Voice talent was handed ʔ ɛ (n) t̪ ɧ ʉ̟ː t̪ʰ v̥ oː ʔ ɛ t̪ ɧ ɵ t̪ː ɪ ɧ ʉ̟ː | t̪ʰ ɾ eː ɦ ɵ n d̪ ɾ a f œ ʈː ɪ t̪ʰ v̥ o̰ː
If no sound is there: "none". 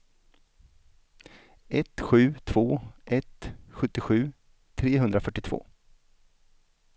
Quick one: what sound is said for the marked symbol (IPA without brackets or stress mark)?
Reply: none